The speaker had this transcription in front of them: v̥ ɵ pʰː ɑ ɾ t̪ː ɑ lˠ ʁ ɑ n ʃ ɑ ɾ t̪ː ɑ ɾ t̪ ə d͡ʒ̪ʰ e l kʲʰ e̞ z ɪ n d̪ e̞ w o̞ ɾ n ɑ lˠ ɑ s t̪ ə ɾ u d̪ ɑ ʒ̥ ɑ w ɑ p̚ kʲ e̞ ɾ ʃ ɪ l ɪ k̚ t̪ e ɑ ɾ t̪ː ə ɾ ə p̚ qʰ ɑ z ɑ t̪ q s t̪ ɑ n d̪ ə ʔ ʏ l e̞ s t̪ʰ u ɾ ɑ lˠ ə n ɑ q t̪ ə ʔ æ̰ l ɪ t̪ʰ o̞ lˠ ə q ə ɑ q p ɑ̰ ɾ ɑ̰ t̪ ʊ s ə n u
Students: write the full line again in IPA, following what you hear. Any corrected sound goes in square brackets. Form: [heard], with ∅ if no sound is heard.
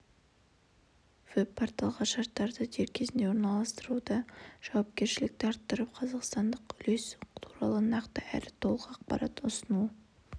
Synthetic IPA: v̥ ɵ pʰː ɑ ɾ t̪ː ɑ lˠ ʁ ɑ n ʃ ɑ ɾ t̪ː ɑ ɾ [d̪] ə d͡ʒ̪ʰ e [ɾ] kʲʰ e̞ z ɪ n d̪ e̞ w o̞ ɾ n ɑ lˠ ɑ s t̪ ə ɾ u d̪ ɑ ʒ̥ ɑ w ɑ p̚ kʲ e̞ ɾ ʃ ɪ l ɪ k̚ t̪ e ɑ ɾ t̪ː ə ɾ ə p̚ qʰ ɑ z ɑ [∅] q s t̪ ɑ n d̪ ə [q] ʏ l e̞ s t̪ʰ u ɾ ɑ lˠ ə n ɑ q t̪ ə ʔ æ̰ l ɪ t̪ʰ o̞ lˠ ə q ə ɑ q p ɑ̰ ɾ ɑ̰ t̪ ʊ s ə n u